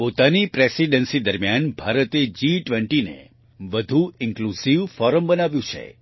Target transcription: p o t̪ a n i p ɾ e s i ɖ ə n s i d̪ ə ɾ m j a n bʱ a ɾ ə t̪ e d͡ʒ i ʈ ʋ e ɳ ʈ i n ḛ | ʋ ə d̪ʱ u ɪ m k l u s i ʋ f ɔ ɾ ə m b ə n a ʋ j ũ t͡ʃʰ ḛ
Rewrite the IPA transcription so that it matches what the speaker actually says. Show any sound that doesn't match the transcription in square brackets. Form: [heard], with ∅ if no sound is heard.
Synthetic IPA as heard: p o t̪ a n i p ɾ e s i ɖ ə n s i d̪ ə ɾ m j a n bʱ a ɾ ə t̪ e d͡ʒ i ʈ ʋ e ɳ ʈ i n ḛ | ʋ ə d̪ʱ u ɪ [ŋ] k l u s i ʋ f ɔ ɾ ə m b ə n a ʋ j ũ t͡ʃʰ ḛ